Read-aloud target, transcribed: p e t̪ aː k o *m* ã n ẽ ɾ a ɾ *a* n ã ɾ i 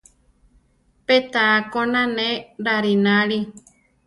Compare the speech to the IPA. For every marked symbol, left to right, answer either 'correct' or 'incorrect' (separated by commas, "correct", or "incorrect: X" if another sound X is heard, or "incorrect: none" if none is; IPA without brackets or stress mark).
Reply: incorrect: n, incorrect: i